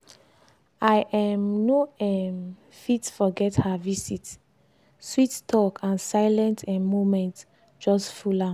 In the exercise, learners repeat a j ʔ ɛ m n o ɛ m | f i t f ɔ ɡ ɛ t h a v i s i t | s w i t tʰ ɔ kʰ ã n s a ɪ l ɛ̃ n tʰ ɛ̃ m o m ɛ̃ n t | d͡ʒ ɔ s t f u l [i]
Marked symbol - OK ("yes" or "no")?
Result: no